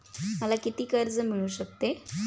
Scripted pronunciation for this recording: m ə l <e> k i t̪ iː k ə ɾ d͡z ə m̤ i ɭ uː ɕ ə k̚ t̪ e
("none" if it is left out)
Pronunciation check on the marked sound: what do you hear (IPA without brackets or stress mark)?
a